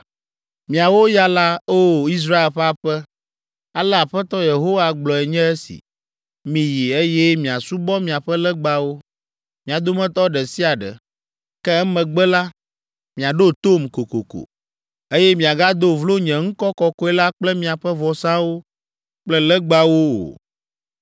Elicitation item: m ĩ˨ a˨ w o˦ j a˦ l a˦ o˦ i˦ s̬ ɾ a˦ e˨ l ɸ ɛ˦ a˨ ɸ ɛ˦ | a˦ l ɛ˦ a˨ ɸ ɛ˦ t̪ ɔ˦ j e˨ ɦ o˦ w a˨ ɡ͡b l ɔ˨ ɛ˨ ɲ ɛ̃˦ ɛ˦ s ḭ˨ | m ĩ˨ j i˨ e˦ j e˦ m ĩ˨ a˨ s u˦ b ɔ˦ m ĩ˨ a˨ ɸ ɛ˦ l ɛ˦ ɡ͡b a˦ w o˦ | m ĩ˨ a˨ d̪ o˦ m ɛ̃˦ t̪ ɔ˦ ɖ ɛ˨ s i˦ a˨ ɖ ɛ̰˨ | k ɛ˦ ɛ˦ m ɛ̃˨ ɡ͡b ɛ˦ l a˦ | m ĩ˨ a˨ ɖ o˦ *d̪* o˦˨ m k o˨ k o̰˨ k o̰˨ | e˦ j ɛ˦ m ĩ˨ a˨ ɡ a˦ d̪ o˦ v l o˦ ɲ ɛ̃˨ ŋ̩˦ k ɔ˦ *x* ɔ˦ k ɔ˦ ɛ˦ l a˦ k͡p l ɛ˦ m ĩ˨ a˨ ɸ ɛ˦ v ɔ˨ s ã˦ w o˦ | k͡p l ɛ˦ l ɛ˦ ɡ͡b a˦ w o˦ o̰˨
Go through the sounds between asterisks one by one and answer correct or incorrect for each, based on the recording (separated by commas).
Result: incorrect, incorrect